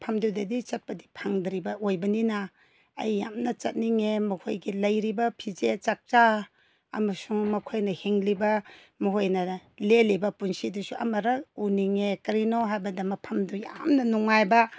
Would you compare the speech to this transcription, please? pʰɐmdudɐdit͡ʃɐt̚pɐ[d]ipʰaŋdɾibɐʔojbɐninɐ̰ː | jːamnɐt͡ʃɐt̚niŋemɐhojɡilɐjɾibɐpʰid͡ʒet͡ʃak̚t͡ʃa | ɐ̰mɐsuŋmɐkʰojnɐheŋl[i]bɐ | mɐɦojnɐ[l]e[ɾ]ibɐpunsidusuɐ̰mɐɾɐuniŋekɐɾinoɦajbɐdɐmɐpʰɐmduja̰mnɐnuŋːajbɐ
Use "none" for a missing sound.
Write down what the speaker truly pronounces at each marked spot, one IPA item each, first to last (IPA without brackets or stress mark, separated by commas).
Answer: d, i, l, l